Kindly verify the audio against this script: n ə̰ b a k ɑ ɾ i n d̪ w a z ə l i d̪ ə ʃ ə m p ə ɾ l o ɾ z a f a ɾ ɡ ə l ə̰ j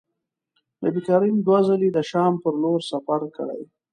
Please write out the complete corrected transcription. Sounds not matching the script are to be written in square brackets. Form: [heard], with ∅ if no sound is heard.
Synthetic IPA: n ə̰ b [i] k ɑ ɾ i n d̪ w a z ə l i d̪ ə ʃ [ɑ] m p ə ɾ l o ɾ [s] a f a ɾ [k] ə [ɽ] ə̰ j